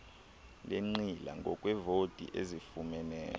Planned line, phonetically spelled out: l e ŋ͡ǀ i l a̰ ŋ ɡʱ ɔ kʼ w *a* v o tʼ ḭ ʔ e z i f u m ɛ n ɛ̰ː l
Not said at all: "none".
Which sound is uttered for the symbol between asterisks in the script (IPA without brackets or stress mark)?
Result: ɛ